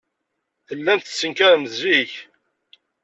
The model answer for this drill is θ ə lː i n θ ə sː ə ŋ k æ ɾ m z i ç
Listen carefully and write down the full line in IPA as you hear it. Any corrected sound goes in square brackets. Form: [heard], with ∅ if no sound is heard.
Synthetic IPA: θ ə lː [æ] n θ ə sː ə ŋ k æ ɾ m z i ç